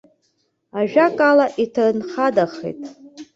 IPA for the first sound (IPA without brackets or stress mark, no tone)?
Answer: a